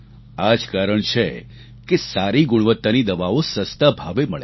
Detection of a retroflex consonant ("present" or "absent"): present